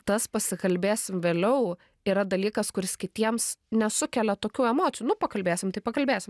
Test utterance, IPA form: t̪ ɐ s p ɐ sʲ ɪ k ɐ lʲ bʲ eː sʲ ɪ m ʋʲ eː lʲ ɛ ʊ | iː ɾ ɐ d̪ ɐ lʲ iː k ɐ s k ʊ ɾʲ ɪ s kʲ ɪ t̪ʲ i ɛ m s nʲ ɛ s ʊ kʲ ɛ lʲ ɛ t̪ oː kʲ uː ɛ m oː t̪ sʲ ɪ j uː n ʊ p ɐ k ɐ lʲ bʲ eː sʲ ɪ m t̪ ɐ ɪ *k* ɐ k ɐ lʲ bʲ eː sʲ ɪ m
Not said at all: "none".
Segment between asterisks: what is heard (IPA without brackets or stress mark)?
p